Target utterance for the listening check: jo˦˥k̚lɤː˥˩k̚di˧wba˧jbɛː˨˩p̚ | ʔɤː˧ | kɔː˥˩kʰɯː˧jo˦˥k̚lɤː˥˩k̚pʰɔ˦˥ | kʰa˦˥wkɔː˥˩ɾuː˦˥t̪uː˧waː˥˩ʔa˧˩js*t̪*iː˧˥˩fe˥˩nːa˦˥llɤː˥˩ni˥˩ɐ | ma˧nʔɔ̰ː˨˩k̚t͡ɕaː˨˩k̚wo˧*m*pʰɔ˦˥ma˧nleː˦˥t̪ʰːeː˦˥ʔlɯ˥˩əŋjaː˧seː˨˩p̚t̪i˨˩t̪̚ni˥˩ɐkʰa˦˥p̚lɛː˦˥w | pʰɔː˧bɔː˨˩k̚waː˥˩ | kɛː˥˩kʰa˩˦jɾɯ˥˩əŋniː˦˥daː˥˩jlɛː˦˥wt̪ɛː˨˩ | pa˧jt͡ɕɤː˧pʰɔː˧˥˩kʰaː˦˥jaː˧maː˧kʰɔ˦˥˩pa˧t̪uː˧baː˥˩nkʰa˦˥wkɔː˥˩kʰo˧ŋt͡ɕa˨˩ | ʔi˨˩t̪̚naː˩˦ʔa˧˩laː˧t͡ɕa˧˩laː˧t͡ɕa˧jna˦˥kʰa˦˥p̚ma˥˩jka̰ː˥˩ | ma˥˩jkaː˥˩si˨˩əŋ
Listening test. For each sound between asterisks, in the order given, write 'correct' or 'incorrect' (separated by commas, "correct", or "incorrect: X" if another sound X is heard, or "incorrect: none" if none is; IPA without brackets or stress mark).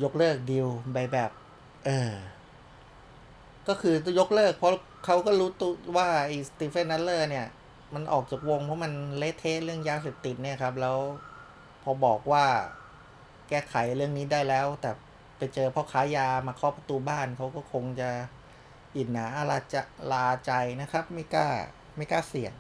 correct, incorrect: ŋ